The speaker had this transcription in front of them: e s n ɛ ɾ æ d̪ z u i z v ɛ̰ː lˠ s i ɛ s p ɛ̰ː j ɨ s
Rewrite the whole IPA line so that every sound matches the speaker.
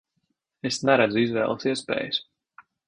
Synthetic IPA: e s n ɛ ɾ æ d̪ z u i z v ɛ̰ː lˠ s i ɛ s p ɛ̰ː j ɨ s